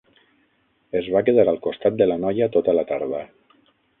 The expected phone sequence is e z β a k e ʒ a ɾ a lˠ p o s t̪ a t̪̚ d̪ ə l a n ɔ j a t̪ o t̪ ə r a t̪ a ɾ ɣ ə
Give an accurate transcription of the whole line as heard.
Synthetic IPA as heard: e z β a k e ð a ɾ a lˠ k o s t̪ a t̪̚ d̪ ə l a n ɔ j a t̪ o t̪ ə l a t̪ a ɾ ð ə